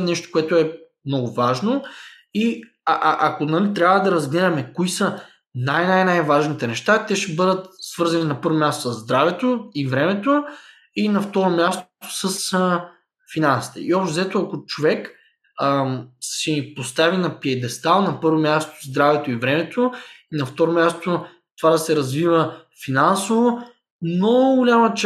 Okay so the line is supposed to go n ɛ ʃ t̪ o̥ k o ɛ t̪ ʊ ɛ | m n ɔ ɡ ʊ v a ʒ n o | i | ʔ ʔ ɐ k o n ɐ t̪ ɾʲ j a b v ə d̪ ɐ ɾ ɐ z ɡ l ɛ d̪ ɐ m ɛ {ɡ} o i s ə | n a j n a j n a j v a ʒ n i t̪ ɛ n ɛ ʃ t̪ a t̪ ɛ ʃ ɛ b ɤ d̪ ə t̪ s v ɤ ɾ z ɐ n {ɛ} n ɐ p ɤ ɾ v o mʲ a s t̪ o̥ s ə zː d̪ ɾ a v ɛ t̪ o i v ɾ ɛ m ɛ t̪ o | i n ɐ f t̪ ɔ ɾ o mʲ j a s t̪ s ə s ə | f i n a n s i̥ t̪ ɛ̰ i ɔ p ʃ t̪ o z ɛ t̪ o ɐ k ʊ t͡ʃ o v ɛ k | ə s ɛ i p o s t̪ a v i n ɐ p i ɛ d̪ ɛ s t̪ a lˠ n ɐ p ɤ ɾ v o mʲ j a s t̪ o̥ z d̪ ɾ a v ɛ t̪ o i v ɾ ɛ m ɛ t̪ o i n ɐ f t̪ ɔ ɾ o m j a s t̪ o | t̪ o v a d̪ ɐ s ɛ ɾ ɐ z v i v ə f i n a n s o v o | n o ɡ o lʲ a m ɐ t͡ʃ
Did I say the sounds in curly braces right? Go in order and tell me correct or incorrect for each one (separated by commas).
incorrect, incorrect